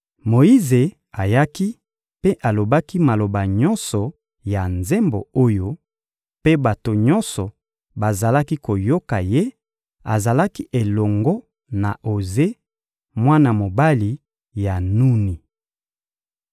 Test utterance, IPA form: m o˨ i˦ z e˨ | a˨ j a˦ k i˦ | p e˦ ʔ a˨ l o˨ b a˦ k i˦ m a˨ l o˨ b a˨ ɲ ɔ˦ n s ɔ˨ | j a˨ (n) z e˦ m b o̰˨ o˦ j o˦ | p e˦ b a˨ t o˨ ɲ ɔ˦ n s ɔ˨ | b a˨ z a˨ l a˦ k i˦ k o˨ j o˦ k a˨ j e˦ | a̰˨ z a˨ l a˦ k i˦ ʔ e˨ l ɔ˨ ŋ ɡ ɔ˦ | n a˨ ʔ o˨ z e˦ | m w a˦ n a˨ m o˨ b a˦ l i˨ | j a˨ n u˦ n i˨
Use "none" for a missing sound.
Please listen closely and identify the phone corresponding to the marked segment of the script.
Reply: n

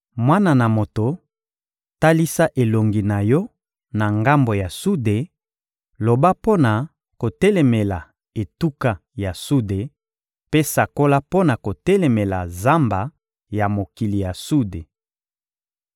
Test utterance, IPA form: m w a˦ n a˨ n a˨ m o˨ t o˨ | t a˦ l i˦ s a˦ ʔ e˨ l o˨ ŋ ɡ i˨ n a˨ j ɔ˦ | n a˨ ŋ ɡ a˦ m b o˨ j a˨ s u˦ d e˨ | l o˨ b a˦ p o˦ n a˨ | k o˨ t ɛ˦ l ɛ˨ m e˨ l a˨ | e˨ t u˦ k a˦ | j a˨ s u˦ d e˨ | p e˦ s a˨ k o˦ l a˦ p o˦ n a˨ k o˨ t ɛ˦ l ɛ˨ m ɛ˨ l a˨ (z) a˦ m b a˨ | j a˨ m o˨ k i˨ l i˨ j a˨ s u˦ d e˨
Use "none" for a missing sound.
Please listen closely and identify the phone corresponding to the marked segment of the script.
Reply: z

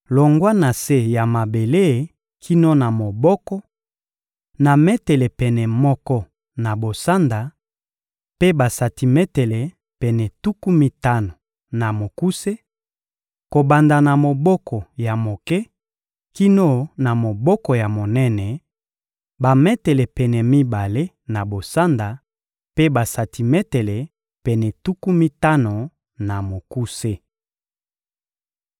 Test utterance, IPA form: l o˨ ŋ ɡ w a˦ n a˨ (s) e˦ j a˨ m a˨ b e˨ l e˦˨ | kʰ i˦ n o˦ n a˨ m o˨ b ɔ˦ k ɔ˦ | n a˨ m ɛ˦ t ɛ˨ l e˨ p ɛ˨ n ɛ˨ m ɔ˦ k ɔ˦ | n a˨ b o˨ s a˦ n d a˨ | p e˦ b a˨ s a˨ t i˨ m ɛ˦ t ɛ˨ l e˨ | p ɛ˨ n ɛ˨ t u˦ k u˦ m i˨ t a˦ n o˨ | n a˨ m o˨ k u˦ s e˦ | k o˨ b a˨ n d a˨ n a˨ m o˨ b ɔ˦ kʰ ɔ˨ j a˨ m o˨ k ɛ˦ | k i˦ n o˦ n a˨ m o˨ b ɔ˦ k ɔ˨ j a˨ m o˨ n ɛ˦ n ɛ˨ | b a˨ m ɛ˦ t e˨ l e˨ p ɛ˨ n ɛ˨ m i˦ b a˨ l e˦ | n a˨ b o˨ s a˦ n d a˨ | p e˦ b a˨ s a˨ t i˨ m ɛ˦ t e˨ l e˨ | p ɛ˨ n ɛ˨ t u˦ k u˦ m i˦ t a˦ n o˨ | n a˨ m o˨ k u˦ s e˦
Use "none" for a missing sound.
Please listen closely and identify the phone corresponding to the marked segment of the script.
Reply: s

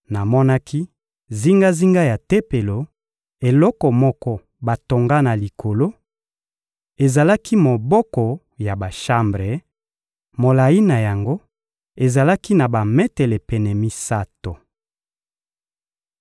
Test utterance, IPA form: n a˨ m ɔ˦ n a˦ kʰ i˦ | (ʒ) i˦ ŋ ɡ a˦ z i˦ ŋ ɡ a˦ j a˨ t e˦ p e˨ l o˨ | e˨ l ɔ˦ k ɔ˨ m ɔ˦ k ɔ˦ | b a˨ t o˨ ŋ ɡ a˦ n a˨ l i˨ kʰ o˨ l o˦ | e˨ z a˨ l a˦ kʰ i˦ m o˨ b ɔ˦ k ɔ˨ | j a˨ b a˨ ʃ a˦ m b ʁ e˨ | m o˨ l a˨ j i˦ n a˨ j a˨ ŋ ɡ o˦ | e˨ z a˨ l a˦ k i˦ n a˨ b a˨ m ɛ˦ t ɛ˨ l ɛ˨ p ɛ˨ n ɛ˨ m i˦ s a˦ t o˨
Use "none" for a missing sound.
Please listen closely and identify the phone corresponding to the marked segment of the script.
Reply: z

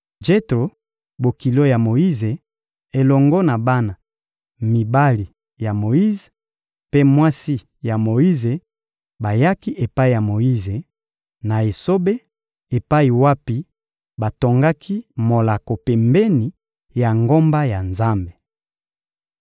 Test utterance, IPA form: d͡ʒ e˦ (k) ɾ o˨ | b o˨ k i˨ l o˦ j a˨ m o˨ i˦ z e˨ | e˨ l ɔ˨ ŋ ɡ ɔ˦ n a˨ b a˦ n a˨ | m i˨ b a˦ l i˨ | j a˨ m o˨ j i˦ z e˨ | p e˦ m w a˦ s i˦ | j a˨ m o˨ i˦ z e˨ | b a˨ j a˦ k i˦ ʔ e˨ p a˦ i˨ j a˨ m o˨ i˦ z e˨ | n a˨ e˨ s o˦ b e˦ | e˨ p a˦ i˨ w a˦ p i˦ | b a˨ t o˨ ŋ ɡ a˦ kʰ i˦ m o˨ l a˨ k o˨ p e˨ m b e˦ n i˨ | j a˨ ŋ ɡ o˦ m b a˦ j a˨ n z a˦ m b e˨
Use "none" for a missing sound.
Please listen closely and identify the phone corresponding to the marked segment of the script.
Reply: t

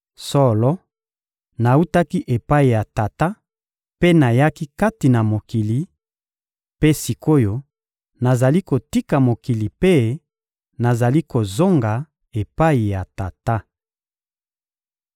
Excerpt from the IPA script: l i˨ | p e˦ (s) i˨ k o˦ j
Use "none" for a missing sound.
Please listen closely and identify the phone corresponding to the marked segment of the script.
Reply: s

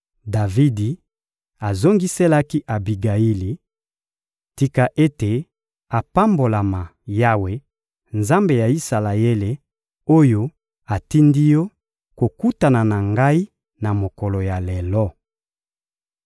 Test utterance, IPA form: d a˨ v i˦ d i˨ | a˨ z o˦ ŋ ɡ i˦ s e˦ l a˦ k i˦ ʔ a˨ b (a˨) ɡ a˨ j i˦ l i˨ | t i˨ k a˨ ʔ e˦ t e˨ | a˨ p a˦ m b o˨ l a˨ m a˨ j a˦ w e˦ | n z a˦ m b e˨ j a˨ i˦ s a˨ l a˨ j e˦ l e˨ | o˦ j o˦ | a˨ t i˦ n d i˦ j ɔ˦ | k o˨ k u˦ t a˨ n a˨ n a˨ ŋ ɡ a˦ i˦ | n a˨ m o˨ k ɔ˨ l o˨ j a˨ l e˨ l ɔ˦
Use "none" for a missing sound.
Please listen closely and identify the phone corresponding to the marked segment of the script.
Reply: i˨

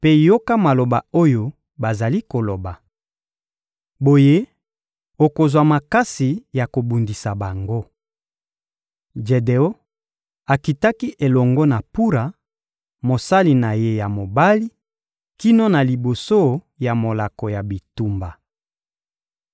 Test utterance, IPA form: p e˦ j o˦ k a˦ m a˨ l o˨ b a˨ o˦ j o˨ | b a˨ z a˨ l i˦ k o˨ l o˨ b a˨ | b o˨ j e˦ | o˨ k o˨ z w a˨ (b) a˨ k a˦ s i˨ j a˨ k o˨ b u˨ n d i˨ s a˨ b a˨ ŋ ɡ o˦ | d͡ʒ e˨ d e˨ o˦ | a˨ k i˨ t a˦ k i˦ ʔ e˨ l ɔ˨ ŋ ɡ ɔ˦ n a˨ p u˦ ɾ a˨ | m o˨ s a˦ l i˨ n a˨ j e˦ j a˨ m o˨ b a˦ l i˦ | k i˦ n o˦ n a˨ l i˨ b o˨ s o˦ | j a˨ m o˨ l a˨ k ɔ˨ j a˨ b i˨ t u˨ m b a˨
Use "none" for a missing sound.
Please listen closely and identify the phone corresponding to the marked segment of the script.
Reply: m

